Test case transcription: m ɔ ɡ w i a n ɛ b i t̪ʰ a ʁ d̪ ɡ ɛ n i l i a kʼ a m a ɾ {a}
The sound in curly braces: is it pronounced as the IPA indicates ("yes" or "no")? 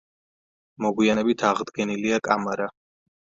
yes